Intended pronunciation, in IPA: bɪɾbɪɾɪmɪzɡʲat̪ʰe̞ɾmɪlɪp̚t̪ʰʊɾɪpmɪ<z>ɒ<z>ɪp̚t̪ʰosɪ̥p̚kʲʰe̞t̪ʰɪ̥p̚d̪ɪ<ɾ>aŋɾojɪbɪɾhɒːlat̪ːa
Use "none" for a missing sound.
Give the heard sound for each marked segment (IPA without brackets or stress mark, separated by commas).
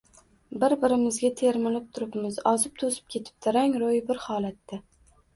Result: z, z, ɾ